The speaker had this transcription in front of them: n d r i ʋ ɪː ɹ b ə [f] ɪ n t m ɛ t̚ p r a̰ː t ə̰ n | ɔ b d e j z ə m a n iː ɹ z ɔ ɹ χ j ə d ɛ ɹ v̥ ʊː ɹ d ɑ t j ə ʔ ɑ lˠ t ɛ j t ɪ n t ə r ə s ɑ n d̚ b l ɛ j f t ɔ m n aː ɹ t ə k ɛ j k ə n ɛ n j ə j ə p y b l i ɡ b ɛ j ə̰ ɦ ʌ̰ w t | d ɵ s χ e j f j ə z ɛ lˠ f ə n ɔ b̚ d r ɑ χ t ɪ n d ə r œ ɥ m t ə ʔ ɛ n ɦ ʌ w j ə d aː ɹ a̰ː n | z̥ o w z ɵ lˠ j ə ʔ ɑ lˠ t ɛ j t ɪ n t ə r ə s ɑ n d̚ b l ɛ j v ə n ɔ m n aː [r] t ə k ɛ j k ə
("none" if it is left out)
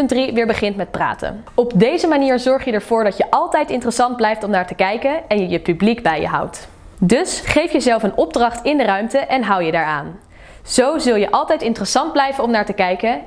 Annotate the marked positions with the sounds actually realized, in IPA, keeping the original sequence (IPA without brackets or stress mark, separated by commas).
χ, ɹ